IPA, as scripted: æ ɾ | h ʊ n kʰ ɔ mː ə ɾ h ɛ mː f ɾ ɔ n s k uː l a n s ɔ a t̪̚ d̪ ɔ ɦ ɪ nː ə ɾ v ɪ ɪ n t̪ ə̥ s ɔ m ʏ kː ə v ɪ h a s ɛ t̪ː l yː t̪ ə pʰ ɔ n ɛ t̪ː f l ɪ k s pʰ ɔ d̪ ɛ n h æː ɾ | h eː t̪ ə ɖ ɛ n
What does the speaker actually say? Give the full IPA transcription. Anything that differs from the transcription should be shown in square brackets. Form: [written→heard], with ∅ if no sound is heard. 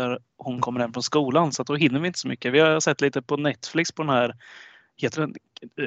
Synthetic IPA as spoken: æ ɾ | h ʊ n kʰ ɔ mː ə ɾ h ɛ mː f ɾ ɔ n s k uː l a n s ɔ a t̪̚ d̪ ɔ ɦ ɪ nː ə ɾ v ɪ ɪ n t̪ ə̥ s ɔ m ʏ kː ə v ɪ h a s ɛ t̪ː l [yː→iː] t̪ ə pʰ ɔ n ɛ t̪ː f l ɪ k s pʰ ɔ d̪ ɛ n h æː ɾ | h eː t̪ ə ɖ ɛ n